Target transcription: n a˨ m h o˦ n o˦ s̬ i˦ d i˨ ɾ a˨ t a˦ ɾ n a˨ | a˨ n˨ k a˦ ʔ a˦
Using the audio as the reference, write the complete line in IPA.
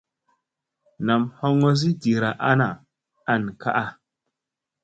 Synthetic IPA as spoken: n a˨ m h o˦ ŋ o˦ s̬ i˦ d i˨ ɾ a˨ ʔ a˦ n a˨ | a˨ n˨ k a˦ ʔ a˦